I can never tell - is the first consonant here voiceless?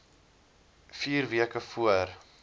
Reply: yes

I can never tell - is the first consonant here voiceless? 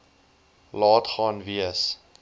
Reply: no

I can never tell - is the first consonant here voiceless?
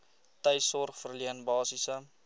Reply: yes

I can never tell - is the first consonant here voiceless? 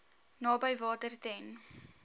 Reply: no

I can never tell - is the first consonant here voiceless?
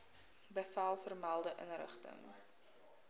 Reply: no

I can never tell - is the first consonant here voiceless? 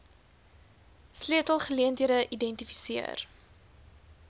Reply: yes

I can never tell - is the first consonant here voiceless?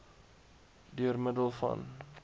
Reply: no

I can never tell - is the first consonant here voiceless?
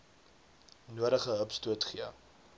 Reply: no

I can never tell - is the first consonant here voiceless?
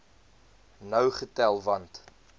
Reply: no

